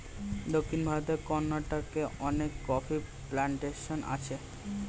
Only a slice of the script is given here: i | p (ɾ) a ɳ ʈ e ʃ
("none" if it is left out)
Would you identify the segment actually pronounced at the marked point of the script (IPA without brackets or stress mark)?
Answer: l